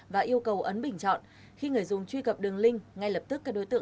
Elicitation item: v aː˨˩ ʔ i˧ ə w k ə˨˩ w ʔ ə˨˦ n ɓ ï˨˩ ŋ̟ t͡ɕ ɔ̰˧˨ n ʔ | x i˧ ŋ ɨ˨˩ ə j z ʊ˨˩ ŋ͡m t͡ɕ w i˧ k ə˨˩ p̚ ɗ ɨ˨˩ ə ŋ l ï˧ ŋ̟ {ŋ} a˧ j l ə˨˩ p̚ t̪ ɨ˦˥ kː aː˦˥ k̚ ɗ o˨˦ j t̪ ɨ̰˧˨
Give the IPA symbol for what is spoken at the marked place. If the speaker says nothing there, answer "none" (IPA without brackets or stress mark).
ŋ